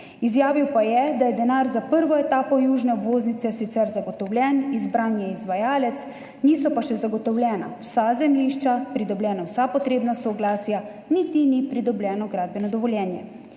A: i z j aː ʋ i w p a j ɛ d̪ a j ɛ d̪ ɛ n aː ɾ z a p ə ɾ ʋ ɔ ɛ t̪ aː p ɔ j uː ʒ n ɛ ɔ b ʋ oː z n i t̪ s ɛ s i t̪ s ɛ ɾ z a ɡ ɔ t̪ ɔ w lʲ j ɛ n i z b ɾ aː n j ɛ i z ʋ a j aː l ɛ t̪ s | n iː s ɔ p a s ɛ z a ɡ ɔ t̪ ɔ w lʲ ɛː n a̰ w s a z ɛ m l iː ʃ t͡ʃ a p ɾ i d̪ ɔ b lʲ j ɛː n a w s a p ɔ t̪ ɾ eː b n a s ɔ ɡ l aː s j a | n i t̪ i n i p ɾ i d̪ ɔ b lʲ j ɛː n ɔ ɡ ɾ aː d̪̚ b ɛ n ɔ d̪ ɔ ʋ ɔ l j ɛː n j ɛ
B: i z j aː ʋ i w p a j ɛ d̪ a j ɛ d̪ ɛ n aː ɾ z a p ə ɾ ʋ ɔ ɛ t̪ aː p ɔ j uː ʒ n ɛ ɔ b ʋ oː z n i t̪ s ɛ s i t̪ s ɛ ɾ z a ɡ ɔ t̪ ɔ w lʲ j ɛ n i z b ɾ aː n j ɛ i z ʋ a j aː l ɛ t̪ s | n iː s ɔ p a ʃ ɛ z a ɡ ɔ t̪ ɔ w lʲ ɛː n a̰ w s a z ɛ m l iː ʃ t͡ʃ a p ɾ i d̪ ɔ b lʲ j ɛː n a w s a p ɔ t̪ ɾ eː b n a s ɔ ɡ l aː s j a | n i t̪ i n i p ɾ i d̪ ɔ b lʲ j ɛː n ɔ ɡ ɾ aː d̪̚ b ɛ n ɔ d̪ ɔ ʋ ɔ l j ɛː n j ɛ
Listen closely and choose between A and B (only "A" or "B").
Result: B